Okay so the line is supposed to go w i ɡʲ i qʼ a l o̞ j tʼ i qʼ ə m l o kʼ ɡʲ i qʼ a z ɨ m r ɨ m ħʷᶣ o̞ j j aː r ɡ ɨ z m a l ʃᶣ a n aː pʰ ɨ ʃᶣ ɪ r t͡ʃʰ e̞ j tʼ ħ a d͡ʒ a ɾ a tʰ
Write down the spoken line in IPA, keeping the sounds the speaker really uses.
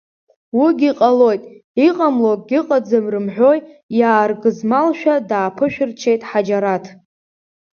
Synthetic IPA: w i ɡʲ i qʼ a l o̞ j tʼ i qʼ a m l o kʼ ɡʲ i qʼ a d͡z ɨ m r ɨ m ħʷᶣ o̞ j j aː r ɡ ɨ z m a l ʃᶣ a d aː pʰ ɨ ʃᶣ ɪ r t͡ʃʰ e̞ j tʼ ħ a d͡ʒ a ɾ a tʰ